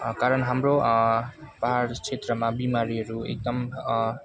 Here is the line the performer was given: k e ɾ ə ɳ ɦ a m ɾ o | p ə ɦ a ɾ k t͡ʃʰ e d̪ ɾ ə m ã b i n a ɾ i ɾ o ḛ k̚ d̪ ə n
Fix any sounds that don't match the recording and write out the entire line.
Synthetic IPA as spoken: k a ɾ ə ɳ ɦ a m ɾ o | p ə ɦ a ɾ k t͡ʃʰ e t̪ ɾ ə m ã b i m a ɾ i ɾ u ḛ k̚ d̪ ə m

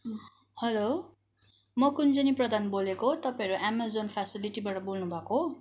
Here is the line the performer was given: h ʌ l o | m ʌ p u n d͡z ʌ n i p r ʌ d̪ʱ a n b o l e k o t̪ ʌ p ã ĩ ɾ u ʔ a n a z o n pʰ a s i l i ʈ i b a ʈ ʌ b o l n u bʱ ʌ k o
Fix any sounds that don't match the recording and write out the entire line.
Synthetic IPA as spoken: h ʌ l o | m ʌ k u n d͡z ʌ n i p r ʌ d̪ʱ a n b o l e k o t̪ ʌ p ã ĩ ɾ u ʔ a m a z o n pʰ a s i l i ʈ i b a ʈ ʌ b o l n u bʱ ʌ k o

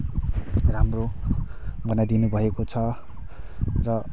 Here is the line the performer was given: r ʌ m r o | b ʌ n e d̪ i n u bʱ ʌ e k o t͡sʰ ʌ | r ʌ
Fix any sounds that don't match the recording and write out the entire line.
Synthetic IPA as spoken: r a m r o | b ʌ n a d̪ i n u bʱ ʌ e k o t͡sʰ ʌ | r ʌ

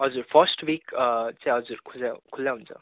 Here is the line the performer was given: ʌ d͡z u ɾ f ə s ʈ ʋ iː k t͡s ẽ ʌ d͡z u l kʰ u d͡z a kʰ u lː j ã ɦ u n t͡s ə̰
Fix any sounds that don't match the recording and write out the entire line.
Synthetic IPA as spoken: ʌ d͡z u ɾ f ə s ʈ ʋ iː k t͡s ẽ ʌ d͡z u ɾ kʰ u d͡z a kʰ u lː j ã ɦ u n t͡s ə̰

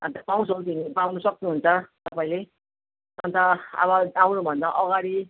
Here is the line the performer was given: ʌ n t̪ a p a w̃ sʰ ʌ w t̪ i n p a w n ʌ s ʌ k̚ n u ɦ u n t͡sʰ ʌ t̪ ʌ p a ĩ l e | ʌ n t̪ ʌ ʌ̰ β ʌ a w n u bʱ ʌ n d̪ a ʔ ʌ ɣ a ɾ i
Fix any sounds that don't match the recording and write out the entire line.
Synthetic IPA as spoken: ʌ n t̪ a p a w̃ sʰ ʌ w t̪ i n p a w n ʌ s ʌ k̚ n u ɦ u n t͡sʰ ʌ t̪ ʌ p a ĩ l e | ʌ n t̪ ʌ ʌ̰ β ʌ a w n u bʱ ʌ n d̪ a ʔ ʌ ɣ a ɾ i

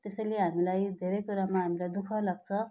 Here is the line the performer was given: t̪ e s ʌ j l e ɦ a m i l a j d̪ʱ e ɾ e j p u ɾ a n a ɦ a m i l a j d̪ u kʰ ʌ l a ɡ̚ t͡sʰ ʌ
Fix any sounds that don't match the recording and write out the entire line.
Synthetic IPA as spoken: t̪ e s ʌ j l e ɦ a m i l a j d̪ʱ e ɾ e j k u ɾ a m a ɦ a m i l a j d̪ u kʰ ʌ l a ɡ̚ t͡sʰ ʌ

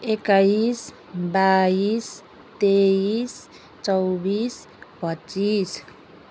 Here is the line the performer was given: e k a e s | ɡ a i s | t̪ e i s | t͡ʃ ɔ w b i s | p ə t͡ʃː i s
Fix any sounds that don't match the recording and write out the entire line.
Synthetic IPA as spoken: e k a i s | b a i s | t̪ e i s | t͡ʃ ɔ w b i s | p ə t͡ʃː i s

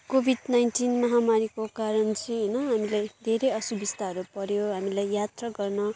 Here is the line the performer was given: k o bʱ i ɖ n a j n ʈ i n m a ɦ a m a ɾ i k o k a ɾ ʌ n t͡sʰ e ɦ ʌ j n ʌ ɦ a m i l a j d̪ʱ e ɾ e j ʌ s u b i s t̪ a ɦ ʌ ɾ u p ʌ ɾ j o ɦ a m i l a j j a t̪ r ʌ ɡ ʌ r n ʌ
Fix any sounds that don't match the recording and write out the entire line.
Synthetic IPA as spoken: k o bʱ i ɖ n a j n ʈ i n m ʌ ɦ a m a ɾ i k o k a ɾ ʌ n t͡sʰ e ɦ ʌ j n ʌ ɦ a m i l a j d̪ʱ e ɾ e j ʌ s u b i s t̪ a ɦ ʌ ɾ u p ʌ ɾ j o ɦ a m i l a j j a t̪ r ʌ ɡ ʌ r n ʌ

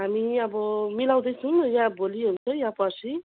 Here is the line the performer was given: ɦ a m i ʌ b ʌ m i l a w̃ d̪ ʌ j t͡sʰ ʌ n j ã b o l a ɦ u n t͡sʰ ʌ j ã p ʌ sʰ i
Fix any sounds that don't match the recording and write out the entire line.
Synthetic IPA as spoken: ɦ a m i ʌ b ʌ m i l a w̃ d̪ ʌ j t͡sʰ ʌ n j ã b o l i ɦ u n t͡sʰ ʌ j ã p ʌ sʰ i

